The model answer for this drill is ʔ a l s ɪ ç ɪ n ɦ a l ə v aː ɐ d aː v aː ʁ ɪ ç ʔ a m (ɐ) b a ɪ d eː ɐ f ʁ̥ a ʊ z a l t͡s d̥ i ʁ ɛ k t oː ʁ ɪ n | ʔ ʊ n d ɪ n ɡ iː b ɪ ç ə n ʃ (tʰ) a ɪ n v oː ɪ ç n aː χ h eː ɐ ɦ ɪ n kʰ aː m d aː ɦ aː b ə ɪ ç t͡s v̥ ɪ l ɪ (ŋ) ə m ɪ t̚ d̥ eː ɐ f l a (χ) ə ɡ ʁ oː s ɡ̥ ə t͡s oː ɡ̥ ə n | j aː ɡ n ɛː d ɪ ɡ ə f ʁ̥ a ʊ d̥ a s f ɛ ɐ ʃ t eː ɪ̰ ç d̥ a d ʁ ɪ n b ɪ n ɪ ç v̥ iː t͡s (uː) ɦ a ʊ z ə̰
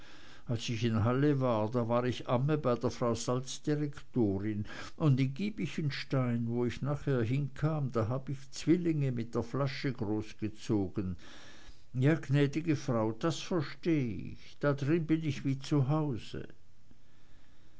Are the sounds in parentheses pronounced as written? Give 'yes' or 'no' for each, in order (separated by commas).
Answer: no, no, yes, no, no